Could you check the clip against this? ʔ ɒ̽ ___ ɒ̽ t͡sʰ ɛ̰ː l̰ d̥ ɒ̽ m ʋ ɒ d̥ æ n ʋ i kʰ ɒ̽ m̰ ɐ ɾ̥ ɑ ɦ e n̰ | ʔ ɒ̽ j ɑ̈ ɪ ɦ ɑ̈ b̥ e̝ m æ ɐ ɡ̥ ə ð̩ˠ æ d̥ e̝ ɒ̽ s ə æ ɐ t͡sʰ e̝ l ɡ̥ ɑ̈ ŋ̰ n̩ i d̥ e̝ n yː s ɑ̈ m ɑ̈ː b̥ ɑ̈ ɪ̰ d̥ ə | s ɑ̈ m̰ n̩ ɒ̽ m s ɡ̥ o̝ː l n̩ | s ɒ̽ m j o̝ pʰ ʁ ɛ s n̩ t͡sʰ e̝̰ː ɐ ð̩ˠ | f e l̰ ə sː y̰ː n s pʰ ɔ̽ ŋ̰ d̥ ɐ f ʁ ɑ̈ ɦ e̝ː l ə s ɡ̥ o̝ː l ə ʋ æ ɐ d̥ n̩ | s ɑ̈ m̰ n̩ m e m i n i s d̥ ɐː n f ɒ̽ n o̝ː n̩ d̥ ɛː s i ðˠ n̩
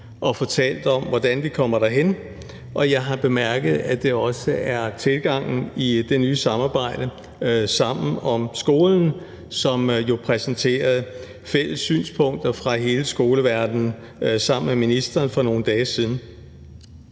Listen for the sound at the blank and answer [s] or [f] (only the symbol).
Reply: f